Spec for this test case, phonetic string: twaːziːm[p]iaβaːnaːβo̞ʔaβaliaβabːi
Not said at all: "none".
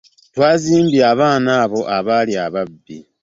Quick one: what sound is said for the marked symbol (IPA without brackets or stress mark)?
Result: b